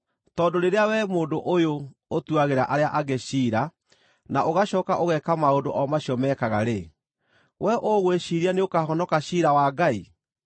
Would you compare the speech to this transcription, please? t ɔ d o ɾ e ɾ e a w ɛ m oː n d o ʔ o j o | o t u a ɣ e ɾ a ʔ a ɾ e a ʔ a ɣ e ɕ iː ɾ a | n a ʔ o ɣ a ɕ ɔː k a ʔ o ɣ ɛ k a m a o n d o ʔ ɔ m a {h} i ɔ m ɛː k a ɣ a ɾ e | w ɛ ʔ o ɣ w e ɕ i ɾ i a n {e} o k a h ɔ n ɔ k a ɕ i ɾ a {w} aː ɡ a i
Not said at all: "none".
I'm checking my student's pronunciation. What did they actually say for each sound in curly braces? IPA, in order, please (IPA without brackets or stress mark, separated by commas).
ɕ, e, w